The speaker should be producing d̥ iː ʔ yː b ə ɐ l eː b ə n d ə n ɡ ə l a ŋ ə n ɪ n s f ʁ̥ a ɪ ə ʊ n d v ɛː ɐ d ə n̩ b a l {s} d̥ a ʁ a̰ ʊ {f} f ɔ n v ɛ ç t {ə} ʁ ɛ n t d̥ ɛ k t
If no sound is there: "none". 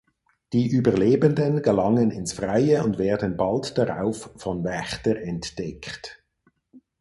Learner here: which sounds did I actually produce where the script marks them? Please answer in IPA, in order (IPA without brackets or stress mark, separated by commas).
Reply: t, f, ə